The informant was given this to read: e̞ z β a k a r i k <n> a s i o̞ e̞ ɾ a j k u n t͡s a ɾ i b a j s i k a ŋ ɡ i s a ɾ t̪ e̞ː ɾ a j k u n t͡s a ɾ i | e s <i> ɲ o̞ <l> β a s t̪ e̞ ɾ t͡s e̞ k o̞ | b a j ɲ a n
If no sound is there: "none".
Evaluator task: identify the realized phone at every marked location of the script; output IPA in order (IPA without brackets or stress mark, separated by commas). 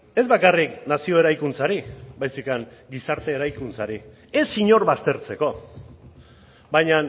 n, i, ɾ